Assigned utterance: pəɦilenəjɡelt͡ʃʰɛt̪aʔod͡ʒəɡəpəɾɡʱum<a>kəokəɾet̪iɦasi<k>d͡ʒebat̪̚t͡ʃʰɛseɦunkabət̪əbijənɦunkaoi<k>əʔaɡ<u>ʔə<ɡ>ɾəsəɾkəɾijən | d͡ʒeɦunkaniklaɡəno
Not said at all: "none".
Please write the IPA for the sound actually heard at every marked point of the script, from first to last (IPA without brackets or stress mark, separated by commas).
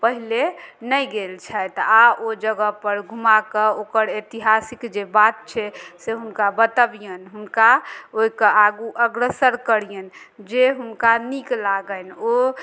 a, k, k, u, ɡ